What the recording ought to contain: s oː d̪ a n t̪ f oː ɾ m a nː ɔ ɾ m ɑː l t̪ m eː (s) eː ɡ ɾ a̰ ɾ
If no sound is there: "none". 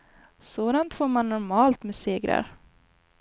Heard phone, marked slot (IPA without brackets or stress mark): s